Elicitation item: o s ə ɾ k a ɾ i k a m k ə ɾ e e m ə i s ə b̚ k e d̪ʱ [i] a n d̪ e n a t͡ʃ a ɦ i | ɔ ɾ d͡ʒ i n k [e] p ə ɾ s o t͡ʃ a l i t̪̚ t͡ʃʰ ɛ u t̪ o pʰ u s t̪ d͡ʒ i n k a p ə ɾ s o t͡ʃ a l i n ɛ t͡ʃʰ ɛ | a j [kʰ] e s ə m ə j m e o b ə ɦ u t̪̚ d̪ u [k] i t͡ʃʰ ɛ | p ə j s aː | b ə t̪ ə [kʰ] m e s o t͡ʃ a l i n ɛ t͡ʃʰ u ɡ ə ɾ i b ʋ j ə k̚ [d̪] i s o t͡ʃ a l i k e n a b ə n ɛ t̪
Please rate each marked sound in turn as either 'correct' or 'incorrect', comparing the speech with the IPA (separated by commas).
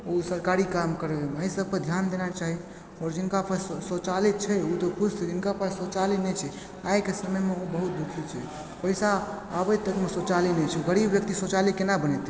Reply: incorrect, incorrect, incorrect, incorrect, incorrect, incorrect